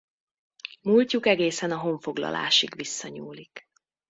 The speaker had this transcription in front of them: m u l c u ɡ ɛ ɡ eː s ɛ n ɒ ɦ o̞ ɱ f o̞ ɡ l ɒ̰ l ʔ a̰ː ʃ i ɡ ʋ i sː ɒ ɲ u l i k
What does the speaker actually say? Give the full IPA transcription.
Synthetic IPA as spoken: m u l c u k ɛ ɡ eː s ɛ n ɒ ɦ o̞ ɱ f o̞ ɡ l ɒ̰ l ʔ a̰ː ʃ i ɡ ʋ i sː ɒ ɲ uː l i k